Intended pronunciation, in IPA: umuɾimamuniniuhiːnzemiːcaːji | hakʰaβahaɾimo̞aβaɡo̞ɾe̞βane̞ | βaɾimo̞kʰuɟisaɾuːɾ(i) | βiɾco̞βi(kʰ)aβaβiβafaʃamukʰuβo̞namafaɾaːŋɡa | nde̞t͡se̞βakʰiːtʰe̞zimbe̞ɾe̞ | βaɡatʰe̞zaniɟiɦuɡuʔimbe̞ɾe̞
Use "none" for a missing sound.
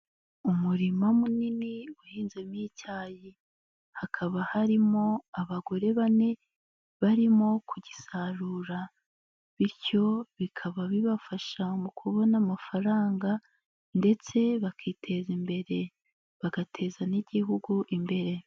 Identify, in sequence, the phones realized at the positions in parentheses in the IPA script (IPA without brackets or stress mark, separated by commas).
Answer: a, kʰ